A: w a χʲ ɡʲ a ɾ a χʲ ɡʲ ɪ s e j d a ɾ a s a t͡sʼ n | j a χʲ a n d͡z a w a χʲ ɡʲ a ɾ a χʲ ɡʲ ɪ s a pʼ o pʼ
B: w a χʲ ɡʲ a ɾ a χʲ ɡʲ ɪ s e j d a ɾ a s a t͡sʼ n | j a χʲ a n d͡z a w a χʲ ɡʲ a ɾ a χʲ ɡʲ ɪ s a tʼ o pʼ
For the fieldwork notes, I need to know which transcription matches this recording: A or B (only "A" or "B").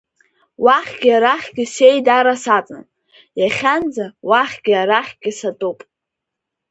B